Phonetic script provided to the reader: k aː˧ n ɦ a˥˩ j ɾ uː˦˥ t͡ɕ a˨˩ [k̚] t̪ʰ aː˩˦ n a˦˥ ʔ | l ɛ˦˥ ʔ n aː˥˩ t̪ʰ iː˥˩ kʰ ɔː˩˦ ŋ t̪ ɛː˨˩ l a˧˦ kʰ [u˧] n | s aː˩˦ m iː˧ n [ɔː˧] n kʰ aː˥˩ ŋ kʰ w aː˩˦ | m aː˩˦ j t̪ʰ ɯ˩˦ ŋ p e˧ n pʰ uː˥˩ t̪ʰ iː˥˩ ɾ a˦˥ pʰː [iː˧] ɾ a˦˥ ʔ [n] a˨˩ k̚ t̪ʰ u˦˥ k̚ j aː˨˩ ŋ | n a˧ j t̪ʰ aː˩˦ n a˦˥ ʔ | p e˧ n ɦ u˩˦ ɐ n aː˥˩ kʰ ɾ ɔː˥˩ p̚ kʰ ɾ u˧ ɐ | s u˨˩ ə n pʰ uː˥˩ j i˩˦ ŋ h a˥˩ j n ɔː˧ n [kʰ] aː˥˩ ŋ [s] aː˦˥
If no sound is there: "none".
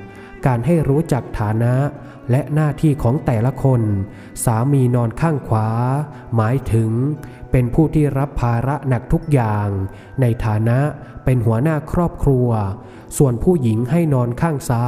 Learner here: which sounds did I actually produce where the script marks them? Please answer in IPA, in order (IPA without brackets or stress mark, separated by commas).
k̚, o˧, ɔː˧, aː˧, n, kʰ, s